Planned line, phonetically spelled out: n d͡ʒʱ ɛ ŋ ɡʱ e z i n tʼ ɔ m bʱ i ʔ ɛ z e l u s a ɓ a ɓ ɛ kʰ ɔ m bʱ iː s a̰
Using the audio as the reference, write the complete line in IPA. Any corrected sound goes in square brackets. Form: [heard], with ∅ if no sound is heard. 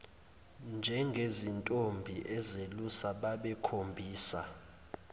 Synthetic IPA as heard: n d͡ʒʱ ɛ ŋ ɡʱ e z i n tʼ [o] m bʱ i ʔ ɛ z e l u s a ɓ a ɓ ɛ kʰ [o] m bʱ iː s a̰